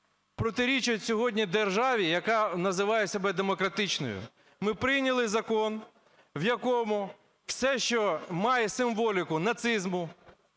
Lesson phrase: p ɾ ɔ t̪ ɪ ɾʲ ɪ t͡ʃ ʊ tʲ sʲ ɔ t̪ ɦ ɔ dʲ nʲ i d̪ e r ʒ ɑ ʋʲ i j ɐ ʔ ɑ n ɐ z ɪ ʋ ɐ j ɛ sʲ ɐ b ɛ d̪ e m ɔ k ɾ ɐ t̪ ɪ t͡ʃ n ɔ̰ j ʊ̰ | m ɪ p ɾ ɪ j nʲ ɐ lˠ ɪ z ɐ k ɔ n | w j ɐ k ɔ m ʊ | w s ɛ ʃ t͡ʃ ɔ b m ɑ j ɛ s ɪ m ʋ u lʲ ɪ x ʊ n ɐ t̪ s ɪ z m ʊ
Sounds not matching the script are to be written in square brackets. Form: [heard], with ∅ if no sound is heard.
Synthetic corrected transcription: p ɾ ɔ t̪ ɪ ɾʲ [i] t͡ʃ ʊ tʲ sʲ ɔ [∅] ɦ ɔ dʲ nʲ i d̪ e r ʒ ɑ ʋʲ i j ɐ [k] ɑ n ɐ z ɪ ʋ [ɑ] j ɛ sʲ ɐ b ɛ d̪ e m ɔ k ɾ ɐ t̪ ɪ t͡ʃ n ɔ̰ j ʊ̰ | m ɪ p ɾ ɪ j nʲ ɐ lˠ ɪ z ɐ k ɔ n | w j ɐ k ɔ m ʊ | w s ɛ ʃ t͡ʃ ɔ [∅] m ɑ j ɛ s ɪ m ʋ [ɔ] lʲ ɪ [k] ʊ n ɐ t̪ s ɪ z m ʊ